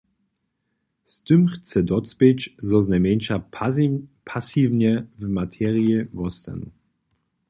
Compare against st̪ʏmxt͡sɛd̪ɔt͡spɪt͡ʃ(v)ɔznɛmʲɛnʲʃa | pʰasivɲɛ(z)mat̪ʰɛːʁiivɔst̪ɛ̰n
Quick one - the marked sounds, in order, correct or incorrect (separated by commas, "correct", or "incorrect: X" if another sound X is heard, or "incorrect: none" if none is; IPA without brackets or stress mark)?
incorrect: z, incorrect: v